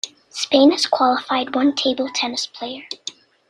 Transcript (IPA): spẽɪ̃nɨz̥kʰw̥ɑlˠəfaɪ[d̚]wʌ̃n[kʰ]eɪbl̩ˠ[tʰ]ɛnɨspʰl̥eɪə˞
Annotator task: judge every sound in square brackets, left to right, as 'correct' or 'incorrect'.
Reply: correct, incorrect: tʰ, correct

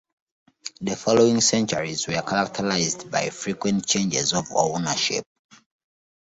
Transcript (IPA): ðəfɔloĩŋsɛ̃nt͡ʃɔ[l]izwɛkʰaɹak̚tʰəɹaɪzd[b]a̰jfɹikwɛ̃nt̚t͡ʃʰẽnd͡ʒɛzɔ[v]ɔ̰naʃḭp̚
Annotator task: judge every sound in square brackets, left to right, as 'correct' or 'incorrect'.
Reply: incorrect: ɹ, correct, correct

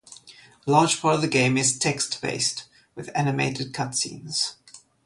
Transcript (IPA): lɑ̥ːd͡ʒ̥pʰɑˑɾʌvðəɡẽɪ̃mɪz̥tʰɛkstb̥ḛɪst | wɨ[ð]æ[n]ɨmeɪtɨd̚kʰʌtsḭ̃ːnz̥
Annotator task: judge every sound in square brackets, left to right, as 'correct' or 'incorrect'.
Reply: correct, correct

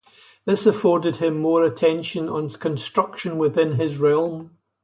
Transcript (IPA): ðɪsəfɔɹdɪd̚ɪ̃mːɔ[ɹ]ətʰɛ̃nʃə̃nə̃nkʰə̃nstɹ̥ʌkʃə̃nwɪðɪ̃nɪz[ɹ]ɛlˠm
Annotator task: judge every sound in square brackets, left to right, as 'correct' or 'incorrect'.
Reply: correct, correct

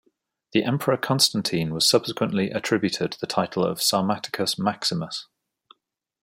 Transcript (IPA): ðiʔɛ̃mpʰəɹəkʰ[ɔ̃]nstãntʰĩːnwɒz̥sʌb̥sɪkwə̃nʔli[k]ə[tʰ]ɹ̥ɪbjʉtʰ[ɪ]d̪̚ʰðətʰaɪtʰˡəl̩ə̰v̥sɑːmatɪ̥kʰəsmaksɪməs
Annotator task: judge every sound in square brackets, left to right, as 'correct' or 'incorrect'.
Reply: incorrect: ɒ̃, incorrect: ʔ, correct, correct

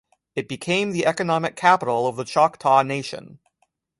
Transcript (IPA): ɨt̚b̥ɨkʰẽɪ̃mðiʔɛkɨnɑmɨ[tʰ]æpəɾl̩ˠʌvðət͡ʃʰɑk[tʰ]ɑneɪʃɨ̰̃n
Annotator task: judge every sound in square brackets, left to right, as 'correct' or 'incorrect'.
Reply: incorrect: kʰ, correct

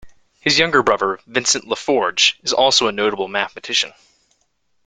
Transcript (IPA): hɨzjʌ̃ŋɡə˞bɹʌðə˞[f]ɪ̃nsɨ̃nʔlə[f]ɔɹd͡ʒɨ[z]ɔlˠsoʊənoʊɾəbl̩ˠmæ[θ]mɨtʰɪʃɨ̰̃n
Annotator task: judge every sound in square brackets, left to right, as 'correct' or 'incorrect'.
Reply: incorrect: v, correct, correct, correct

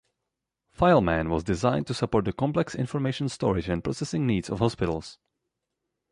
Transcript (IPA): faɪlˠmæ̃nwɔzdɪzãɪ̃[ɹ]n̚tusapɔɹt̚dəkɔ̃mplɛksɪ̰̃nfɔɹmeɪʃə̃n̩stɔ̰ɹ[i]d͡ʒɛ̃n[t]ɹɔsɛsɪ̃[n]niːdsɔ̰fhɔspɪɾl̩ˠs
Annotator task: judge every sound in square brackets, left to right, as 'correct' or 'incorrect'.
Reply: incorrect: none, incorrect: ɪ, incorrect: p, incorrect: ŋ

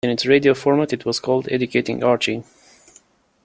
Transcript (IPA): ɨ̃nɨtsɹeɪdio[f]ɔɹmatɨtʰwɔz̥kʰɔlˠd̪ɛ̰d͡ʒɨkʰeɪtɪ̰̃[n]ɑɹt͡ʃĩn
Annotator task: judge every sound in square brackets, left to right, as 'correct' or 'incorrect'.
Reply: correct, incorrect: ŋ

